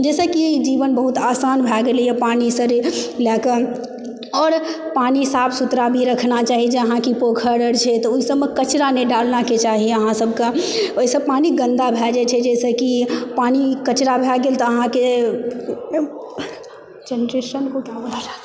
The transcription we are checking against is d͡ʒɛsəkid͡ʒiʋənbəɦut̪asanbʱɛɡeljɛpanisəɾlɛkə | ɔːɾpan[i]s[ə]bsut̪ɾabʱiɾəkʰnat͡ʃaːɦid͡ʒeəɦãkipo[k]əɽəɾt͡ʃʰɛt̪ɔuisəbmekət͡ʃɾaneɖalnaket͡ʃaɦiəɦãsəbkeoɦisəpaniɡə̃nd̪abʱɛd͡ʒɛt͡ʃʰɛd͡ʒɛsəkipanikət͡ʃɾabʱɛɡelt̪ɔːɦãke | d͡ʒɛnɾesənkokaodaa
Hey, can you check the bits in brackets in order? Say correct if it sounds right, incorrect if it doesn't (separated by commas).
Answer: correct, incorrect, incorrect